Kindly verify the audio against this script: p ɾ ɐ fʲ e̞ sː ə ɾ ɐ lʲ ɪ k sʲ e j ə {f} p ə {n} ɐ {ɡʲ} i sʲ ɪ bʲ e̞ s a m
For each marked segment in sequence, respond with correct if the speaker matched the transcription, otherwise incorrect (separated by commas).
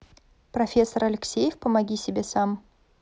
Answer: correct, incorrect, correct